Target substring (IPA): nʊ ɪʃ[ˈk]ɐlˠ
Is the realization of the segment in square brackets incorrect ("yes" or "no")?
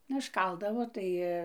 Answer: no